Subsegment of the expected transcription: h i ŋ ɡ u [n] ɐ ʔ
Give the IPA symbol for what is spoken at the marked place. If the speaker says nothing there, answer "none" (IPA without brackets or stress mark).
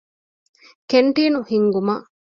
m